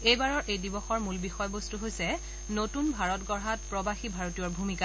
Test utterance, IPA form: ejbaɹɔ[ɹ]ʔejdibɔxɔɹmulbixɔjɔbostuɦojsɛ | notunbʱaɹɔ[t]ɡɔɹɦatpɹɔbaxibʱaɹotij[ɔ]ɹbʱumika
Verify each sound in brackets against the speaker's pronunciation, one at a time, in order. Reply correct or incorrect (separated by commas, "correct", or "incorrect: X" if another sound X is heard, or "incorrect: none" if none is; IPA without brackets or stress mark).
correct, correct, correct